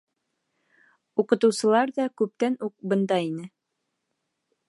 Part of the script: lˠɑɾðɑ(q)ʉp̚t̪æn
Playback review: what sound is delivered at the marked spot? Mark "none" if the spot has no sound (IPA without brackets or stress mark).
k